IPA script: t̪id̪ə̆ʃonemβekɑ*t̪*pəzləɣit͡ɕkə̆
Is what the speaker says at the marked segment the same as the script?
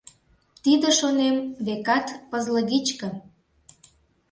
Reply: yes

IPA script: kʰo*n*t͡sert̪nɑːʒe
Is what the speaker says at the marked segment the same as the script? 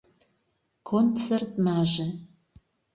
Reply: yes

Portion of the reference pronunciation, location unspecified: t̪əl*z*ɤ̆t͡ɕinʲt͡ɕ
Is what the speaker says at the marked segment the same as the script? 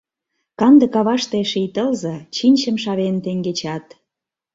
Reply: yes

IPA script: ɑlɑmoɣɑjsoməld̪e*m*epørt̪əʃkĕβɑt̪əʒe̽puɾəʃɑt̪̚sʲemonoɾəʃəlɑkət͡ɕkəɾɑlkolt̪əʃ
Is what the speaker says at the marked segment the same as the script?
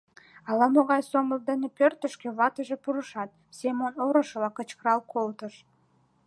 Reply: no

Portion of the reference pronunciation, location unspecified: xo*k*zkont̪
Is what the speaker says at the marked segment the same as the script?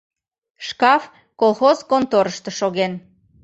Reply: no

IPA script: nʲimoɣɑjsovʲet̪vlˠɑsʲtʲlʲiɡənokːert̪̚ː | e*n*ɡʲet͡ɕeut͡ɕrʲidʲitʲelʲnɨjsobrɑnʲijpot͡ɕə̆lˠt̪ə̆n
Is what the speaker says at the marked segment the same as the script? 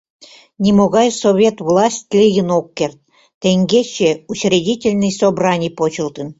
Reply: no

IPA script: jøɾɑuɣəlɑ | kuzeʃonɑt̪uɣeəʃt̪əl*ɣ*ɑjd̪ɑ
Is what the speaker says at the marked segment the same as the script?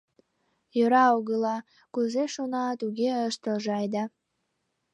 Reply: no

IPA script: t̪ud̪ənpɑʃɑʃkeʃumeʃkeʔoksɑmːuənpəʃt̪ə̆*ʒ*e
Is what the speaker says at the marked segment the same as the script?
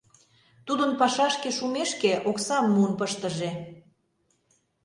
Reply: yes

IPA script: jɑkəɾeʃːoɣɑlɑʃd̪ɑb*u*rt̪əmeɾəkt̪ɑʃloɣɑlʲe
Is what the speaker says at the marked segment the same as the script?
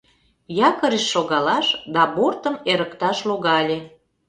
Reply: no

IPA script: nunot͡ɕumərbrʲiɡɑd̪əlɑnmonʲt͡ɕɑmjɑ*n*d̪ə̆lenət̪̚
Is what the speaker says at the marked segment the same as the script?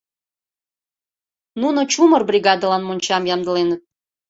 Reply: no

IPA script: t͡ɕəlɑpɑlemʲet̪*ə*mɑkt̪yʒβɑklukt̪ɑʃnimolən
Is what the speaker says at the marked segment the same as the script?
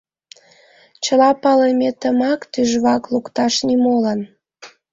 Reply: yes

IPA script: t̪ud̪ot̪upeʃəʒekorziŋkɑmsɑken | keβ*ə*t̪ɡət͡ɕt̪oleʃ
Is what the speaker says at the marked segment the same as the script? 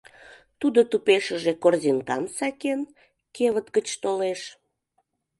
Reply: yes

